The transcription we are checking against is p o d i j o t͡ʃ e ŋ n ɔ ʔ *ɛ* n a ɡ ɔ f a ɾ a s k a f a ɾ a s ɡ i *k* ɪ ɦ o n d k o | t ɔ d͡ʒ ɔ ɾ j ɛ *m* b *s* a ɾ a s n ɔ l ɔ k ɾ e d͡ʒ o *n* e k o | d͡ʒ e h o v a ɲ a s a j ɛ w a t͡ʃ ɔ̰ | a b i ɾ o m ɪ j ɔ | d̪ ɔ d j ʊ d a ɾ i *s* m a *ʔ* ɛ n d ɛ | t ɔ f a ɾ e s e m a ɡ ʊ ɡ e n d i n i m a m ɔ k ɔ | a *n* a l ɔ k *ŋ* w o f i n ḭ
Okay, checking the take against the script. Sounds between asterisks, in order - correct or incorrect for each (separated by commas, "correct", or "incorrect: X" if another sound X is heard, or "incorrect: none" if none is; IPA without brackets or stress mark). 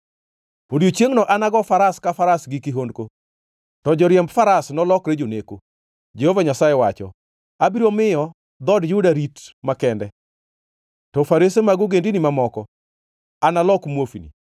incorrect: a, correct, correct, incorrect: f, correct, incorrect: t, incorrect: k, correct, incorrect: m